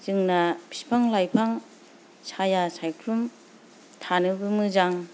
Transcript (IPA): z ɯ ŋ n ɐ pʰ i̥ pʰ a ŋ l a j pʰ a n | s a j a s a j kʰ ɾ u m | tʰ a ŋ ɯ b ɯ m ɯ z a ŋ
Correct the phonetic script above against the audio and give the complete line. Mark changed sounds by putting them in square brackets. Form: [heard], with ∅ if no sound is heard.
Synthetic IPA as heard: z ɯ ŋ n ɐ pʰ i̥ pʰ a ŋ l a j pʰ a [ŋ] | s a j a s a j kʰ ɾ u m | tʰ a [n] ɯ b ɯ m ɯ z a ŋ